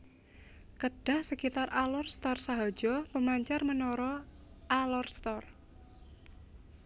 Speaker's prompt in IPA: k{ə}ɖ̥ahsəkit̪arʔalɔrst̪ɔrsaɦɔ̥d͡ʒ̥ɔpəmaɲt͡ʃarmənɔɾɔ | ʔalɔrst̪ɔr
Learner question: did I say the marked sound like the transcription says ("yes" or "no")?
yes